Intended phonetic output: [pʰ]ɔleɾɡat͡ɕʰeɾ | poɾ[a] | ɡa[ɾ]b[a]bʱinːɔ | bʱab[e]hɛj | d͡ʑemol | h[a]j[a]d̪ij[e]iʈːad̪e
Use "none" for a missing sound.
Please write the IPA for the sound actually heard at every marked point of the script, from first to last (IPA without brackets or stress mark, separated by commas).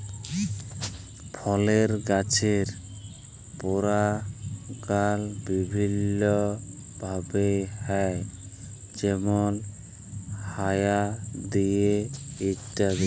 pʰ, a, l, i, e, a, a, e